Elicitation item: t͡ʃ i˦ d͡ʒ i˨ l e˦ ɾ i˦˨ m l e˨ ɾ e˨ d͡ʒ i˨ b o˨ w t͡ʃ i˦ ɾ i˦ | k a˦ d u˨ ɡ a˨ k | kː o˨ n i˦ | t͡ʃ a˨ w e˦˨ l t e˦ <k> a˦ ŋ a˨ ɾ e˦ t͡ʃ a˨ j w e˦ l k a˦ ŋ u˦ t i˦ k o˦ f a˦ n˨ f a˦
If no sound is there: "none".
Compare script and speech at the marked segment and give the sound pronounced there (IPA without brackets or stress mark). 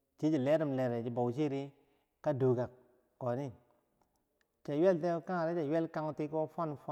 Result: k